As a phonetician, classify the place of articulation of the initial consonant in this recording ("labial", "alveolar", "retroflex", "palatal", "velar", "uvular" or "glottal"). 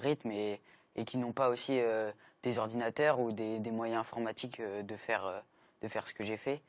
uvular